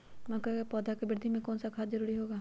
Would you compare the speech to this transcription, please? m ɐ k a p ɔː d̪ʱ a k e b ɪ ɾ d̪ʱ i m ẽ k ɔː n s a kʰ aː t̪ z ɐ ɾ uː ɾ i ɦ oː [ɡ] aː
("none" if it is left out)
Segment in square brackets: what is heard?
ɡ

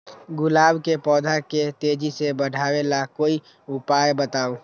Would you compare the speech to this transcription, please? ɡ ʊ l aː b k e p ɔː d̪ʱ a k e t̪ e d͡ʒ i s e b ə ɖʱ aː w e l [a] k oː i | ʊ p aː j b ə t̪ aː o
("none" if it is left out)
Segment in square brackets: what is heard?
a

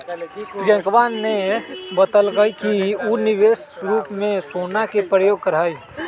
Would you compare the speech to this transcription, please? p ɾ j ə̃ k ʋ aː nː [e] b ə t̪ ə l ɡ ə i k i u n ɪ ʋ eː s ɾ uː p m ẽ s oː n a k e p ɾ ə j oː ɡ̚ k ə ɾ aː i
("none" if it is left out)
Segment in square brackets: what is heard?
e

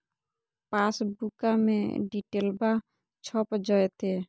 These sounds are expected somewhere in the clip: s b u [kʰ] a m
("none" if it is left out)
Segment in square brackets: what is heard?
k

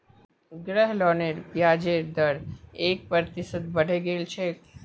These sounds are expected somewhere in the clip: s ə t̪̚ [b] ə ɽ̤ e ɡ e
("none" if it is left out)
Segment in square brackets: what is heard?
b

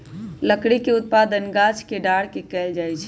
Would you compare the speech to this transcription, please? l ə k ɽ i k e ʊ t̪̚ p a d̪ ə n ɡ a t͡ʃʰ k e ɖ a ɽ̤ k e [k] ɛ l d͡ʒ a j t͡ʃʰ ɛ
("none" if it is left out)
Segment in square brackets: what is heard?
k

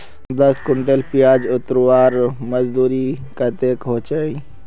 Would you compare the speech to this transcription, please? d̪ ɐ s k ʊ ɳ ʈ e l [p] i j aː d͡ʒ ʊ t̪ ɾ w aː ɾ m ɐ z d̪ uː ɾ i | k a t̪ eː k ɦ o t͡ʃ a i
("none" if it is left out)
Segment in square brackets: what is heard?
p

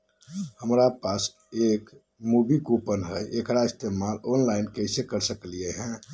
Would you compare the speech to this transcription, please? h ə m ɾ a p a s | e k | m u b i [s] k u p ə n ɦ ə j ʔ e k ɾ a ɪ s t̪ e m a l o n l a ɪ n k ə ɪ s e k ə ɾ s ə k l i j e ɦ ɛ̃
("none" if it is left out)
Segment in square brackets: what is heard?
none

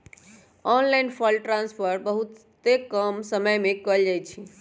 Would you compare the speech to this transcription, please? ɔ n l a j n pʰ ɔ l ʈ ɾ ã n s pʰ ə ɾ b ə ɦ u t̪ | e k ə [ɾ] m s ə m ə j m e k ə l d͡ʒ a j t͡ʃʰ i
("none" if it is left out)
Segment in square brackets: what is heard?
none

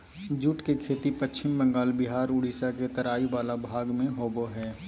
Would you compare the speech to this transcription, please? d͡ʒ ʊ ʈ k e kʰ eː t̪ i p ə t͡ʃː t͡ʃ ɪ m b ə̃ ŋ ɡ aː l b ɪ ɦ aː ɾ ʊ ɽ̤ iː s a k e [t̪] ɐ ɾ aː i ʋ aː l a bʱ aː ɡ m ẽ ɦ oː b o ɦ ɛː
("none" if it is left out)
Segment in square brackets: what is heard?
t̪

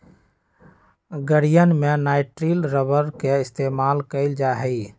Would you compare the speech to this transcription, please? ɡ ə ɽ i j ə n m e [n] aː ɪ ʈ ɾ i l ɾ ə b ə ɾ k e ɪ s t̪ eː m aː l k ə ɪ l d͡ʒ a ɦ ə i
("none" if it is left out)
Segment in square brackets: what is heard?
n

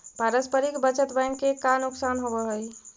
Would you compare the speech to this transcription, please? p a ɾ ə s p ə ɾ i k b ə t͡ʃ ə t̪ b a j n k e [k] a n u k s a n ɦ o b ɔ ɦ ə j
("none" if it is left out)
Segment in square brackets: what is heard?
k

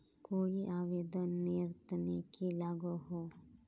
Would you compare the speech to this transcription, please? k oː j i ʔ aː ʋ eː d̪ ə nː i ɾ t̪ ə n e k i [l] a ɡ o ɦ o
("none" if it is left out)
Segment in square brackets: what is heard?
l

